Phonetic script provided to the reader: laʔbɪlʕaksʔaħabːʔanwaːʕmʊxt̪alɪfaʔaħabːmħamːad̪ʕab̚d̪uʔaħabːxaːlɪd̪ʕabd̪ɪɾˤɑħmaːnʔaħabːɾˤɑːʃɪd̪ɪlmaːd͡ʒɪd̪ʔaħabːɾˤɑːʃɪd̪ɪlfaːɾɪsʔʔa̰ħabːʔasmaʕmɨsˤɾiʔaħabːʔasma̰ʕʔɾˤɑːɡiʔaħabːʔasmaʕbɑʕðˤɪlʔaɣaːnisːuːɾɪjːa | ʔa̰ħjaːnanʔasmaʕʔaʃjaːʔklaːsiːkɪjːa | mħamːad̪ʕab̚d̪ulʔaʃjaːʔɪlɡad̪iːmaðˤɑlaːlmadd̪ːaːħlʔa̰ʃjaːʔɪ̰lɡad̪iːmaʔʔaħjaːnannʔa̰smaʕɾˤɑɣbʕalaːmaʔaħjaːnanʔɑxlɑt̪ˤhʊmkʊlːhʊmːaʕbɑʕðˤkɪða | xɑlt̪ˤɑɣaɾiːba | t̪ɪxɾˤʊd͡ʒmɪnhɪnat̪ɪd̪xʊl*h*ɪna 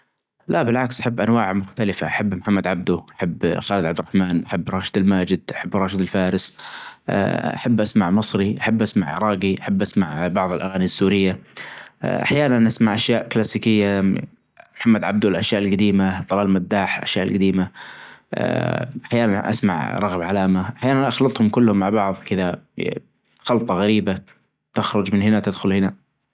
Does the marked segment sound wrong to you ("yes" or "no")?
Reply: no